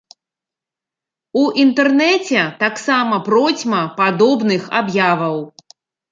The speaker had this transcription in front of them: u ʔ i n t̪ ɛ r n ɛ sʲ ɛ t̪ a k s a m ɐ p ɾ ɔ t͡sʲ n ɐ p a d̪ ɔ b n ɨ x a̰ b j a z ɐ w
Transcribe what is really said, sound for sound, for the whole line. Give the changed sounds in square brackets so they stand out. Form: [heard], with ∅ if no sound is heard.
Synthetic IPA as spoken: u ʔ i n t̪ ɛ r n ɛ [t͡sʲ] ɛ t̪ a k s a m ɐ p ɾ ɔ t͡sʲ [m] ɐ p a d̪ ɔ b n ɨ x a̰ b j a [v] ɐ w